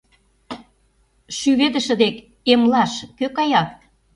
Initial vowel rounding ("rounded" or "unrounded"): rounded